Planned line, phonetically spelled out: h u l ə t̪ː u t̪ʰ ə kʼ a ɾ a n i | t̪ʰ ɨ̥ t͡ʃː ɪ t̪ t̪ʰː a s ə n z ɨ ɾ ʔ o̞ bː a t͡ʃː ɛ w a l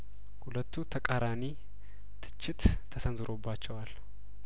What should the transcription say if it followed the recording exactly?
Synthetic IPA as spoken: h u l ə t̪ː u t̪ʰ ə kʼ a ɾ a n i | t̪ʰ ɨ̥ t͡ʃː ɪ t̪ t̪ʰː ə s ə n z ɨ ɾ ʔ o̞ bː a t͡ʃː ɛ w a l